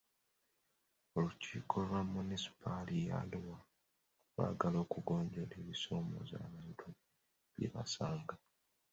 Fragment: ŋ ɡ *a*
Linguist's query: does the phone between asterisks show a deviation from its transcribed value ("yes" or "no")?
no